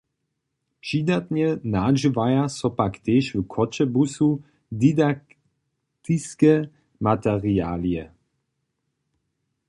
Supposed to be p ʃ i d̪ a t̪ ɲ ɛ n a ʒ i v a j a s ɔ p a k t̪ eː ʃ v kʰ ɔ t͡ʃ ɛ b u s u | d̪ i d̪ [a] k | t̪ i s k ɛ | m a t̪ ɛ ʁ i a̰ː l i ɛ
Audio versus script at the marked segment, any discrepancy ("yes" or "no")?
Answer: no